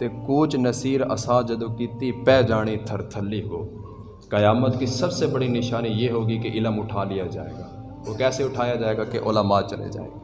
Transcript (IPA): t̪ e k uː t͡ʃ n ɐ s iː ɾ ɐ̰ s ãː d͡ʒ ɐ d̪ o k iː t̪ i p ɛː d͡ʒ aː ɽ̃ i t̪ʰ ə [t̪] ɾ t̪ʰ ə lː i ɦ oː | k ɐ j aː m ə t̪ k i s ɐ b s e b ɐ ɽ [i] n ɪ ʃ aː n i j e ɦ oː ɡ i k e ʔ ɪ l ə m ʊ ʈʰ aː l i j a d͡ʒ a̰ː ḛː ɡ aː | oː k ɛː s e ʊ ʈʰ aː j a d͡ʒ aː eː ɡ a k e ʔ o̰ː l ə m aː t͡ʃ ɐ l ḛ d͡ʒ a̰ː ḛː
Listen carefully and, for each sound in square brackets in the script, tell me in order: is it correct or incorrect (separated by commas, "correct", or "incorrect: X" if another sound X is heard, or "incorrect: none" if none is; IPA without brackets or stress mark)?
incorrect: none, correct